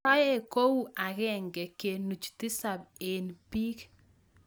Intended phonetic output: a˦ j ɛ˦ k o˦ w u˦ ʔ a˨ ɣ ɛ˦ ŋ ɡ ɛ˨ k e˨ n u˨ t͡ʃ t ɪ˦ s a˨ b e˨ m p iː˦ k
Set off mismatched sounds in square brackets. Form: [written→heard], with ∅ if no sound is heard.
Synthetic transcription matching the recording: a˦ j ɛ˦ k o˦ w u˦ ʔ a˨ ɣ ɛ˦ ŋ ɡ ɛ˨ k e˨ n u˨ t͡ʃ t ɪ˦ s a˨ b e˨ [m→n] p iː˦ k